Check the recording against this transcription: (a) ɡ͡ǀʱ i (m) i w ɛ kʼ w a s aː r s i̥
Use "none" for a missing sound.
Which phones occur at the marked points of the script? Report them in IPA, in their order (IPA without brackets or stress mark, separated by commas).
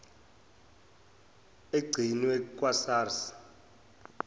e, n